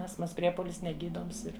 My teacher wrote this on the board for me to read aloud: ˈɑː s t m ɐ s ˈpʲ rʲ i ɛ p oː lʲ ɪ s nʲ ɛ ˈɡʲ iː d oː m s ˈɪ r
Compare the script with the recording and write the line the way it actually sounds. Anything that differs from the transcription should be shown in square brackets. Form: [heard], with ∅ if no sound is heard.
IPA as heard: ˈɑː s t m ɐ s ˈpʲ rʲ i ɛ p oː lʲ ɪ s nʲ ɛ ˈɡʲ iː d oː m s ˈɪ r